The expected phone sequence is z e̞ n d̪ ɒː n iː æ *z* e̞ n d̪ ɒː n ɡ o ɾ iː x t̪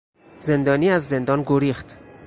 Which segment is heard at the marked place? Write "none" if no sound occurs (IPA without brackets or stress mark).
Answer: zː